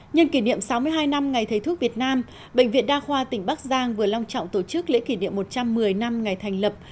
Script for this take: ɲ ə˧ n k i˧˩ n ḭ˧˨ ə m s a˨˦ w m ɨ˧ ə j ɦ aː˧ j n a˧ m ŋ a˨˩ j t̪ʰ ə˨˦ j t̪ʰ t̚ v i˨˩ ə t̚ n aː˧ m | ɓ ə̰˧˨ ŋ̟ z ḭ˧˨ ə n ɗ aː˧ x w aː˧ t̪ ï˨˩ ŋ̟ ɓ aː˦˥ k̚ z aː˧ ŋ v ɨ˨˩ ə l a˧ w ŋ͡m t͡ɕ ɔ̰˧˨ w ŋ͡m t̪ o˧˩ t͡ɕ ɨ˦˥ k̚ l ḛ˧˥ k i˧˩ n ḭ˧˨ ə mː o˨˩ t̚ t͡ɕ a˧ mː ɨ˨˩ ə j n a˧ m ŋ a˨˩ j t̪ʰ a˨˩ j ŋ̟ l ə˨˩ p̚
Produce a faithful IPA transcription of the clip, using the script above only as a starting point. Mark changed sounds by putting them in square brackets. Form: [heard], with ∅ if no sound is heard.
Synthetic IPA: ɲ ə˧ n k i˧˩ n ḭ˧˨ ə m s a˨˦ w m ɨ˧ ə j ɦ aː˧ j n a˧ m ŋ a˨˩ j t̪ʰ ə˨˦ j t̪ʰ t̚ v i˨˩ ə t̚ n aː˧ m | ɓ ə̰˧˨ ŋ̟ [v] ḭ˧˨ ə n ɗ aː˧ x w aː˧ t̪ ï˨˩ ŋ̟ ɓ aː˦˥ k̚ z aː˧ ŋ v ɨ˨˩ ə l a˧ w ŋ͡m t͡ɕ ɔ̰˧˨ w ŋ͡m t̪ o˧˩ t͡ɕ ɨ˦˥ k̚ l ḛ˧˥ k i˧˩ n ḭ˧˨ ə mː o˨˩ t̚ t͡ɕ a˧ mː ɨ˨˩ ə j n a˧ m ŋ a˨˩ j t̪ʰ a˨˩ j ŋ̟ l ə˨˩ p̚